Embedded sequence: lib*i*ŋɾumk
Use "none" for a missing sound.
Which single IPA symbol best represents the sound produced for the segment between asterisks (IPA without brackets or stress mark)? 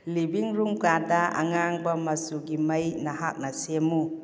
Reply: i